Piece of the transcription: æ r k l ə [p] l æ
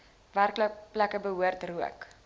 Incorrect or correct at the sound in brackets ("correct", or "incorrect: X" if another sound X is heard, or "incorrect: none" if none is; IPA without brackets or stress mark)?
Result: correct